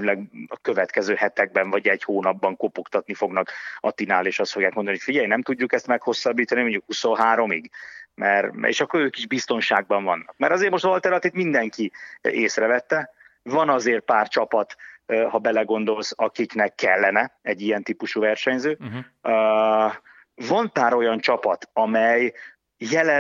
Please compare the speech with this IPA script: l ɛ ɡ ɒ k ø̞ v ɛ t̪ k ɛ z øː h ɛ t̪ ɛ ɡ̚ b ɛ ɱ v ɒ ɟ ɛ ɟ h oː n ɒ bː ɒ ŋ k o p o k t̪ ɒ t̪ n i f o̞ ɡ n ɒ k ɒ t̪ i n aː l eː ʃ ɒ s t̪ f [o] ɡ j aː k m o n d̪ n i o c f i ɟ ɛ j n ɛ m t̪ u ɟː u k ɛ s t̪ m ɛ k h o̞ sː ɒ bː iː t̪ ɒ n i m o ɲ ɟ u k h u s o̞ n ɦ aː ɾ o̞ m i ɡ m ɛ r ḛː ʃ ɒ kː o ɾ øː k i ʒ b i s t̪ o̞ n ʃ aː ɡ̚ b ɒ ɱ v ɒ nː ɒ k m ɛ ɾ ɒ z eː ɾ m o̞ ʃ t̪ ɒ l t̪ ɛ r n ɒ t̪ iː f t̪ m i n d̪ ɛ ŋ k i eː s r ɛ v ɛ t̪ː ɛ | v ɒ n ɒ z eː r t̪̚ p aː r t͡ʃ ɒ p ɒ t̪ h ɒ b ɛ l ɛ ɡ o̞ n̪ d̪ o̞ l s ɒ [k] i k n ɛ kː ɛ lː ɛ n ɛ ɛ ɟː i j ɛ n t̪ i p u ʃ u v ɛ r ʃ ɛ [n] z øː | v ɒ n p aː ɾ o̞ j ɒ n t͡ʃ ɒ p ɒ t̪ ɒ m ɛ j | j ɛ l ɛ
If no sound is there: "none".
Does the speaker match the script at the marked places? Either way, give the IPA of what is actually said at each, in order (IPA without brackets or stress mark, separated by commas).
o, k, ɲ